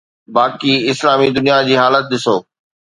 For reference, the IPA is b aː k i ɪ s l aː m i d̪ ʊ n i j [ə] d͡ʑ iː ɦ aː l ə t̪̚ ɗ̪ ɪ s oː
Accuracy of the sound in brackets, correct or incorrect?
incorrect